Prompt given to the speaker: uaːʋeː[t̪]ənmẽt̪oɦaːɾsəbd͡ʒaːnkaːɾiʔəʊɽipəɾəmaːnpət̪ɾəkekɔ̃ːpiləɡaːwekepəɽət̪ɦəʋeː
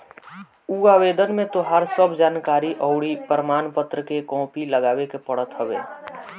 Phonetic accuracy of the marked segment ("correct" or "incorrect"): incorrect